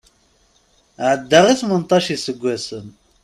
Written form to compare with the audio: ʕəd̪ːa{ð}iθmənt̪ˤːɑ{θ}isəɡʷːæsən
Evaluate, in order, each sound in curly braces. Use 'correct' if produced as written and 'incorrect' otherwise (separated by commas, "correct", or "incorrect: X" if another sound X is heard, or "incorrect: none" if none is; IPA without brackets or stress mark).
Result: incorrect: ʁ, incorrect: ʃ